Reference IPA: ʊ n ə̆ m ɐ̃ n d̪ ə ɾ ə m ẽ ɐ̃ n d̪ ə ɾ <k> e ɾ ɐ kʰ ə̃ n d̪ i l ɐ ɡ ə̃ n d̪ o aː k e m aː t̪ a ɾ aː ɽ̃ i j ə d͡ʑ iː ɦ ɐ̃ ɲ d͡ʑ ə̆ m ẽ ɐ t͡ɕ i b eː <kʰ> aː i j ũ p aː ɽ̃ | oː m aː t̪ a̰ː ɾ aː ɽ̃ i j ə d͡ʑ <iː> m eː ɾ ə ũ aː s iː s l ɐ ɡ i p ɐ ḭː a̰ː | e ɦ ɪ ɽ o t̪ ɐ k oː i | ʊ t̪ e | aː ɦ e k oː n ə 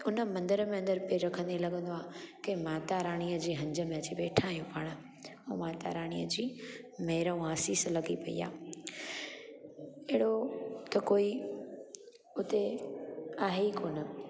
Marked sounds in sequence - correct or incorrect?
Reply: incorrect: p, incorrect: ʈʰ, correct

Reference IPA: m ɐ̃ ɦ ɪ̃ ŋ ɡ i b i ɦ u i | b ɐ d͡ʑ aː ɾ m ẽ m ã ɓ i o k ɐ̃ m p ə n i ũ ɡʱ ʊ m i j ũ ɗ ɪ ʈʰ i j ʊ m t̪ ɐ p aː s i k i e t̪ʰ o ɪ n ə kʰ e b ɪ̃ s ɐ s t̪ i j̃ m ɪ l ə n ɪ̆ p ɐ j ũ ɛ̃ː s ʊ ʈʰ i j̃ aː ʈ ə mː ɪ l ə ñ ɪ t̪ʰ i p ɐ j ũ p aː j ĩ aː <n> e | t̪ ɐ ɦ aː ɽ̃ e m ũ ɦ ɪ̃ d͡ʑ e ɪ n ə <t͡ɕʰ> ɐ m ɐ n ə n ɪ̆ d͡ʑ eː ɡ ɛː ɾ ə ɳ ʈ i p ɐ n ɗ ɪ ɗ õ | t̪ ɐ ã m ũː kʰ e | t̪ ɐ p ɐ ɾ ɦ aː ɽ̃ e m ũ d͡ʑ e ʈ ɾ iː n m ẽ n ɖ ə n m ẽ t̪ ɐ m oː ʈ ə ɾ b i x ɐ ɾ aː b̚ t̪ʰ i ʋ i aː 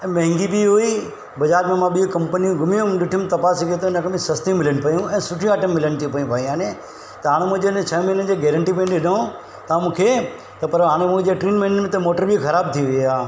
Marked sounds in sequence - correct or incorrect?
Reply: correct, correct

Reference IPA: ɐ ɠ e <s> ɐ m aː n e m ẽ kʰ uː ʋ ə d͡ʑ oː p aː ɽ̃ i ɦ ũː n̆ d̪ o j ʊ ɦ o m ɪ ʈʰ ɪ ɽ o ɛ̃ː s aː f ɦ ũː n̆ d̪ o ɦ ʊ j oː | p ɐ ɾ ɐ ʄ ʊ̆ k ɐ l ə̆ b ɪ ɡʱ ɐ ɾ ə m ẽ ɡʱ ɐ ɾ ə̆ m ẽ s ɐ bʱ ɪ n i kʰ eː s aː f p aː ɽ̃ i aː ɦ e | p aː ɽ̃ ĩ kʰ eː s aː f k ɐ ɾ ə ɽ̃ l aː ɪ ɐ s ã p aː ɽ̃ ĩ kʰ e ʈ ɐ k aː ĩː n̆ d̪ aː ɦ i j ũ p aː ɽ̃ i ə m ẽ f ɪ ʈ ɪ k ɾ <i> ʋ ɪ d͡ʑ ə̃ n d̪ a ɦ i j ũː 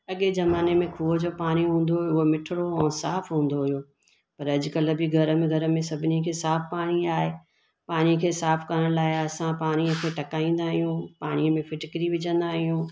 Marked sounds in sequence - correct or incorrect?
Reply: incorrect: z, correct

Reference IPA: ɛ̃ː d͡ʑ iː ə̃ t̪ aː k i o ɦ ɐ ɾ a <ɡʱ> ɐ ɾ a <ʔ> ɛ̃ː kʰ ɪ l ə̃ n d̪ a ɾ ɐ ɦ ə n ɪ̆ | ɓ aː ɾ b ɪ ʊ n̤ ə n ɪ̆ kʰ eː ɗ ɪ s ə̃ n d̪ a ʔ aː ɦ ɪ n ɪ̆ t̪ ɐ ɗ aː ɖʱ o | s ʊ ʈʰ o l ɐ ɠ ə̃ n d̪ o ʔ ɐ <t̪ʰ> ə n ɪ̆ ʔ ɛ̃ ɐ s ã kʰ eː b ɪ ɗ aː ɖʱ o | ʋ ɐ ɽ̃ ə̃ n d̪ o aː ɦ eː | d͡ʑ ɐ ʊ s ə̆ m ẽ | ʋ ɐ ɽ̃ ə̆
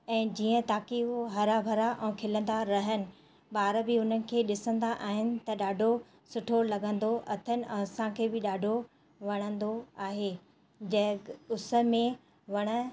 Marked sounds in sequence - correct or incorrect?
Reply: incorrect: bʱ, correct, correct

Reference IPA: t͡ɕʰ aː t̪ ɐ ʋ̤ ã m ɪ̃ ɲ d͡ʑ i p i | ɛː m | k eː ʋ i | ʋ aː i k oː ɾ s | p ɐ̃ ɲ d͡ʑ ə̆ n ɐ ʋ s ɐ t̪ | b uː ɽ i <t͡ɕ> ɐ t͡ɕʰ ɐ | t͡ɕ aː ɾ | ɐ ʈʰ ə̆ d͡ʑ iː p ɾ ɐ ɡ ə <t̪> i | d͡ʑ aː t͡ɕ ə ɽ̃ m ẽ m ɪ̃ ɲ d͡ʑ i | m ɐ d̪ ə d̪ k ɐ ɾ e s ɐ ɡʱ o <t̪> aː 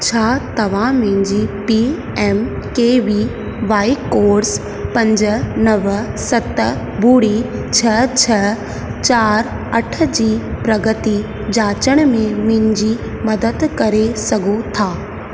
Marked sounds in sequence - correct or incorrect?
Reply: incorrect: t͡ɕʰ, correct, incorrect: t̪ʰ

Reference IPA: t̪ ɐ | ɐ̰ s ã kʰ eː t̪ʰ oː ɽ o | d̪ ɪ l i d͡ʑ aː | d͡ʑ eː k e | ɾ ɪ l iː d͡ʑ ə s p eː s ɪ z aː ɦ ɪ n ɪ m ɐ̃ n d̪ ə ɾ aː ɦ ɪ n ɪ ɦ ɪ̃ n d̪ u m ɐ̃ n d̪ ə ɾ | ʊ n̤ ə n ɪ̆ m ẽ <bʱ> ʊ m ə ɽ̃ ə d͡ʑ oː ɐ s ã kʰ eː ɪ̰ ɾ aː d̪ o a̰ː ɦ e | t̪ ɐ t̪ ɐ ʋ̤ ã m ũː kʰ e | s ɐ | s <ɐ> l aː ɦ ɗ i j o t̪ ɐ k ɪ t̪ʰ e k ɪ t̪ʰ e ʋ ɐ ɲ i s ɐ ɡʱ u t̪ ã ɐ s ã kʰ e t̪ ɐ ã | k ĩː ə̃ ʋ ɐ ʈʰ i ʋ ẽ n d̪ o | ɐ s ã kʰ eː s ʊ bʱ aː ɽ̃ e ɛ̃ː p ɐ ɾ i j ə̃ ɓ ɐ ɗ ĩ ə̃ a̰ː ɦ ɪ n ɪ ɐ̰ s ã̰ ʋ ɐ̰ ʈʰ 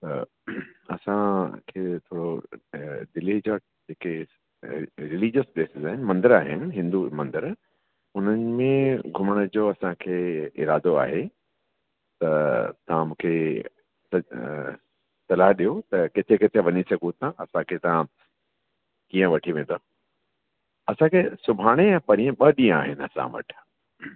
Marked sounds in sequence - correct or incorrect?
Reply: incorrect: ɡʱ, correct

